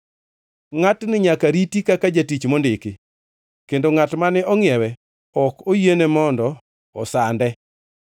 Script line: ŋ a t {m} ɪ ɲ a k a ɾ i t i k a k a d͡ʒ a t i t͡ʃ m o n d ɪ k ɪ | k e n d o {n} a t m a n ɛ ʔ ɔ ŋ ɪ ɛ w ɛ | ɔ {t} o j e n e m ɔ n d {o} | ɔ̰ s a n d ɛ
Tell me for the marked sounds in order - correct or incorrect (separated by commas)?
incorrect, incorrect, incorrect, incorrect